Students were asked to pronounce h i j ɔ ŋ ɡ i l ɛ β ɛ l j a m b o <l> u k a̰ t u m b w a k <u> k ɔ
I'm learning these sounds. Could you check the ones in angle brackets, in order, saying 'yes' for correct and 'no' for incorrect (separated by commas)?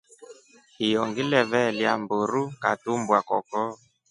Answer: no, no